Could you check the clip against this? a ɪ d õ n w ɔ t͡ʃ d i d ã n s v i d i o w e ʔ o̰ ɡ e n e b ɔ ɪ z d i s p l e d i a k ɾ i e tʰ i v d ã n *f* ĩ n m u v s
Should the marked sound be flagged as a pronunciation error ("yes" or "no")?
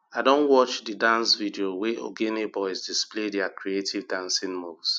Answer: yes